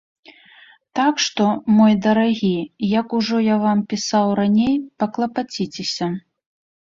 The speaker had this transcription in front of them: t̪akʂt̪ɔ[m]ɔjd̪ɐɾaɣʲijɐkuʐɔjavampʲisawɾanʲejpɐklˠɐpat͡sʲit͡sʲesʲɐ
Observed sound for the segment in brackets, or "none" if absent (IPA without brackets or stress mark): m